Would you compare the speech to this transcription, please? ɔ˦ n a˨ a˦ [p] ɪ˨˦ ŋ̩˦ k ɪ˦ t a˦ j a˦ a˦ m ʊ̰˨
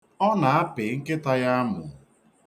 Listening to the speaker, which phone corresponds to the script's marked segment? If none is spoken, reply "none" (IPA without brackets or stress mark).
p